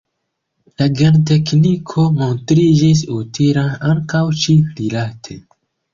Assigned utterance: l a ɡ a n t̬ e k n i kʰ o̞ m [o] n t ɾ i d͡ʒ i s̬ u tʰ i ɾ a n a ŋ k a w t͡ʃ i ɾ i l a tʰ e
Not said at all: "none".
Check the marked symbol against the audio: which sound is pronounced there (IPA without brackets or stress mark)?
o